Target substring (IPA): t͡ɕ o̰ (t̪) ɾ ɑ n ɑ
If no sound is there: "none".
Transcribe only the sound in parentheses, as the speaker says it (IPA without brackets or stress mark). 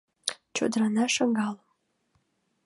d̪